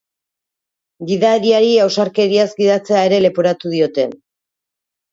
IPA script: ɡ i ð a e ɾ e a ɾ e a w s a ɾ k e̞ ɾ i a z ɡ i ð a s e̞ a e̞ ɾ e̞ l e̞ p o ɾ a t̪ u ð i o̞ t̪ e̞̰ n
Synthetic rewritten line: ɡ i ð a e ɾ i a ɾ i a w s a ɾ k e̞ ɾ i a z ɡ i ð a t͡s e̞ a e̞ ɾ e̞ l e̞ p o ɾ a t̪ u ð i o̞ t̪ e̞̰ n